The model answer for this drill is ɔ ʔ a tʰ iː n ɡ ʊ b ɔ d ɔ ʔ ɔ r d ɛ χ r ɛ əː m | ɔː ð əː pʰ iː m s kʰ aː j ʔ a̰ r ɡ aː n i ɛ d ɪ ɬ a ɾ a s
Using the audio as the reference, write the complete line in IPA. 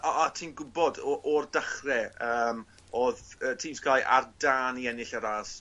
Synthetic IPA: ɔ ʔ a tʰ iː n ɡ ʊ b ɔ d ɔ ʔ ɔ r d a χ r ɛ əː m | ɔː ð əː tʰ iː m s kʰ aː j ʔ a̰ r d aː n i ɛ n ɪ ɬ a ɾ a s